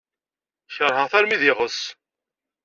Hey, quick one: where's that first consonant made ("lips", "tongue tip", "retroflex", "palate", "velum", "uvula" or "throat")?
palate